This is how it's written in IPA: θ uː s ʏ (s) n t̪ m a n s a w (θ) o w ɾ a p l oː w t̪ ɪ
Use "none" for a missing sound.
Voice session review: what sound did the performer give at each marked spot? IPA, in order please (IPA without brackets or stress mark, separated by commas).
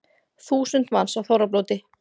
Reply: none, θ